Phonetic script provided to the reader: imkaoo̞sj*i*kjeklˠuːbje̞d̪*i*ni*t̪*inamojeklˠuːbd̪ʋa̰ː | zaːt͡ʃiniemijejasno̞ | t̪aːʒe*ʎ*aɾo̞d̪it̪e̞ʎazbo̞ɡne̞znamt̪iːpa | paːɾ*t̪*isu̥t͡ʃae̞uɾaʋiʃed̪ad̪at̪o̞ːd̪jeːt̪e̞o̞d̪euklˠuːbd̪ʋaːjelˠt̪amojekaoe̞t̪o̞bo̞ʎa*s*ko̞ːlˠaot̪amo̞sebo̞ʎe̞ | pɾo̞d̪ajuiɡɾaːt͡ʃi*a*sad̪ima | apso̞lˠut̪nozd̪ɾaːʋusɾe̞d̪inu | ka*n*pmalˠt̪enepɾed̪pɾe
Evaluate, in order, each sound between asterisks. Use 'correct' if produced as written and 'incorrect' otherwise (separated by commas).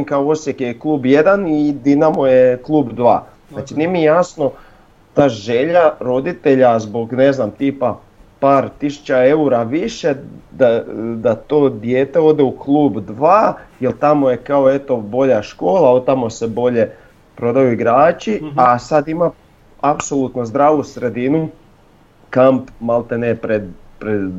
incorrect, incorrect, incorrect, correct, correct, incorrect, correct, incorrect